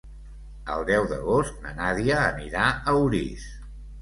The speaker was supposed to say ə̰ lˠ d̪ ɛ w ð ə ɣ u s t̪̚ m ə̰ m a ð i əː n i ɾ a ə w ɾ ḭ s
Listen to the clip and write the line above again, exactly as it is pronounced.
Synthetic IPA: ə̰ lˠ d̪ ɛ w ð ə ɣ o s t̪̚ n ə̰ n a ð i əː n i ɾ a ə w ɾ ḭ s